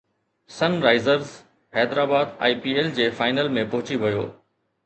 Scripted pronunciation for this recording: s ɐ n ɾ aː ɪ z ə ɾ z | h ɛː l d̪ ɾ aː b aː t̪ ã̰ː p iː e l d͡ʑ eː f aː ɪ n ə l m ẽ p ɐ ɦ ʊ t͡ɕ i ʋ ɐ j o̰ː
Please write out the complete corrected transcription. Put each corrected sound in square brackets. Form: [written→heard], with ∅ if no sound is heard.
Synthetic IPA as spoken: s ɐ n ɾ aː ɪ z ə ɾ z | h ɛː [l→∅] d̪ ɾ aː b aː [t̪→d̪] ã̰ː p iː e l d͡ʑ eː f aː ɪ n ə l m ẽ p ɐ ɦ ʊ t͡ɕ i ʋ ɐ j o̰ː